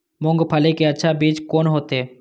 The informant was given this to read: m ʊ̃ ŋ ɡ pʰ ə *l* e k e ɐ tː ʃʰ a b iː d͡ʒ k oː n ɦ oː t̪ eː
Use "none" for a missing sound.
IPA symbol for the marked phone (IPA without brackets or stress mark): l